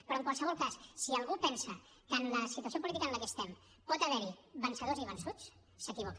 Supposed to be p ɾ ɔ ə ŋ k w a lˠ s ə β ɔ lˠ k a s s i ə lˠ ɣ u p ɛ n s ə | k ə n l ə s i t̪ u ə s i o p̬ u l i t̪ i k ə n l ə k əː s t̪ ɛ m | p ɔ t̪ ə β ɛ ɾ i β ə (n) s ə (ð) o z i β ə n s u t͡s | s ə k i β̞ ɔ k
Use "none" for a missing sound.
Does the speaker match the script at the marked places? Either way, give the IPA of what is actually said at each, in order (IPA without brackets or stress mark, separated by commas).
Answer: n, ð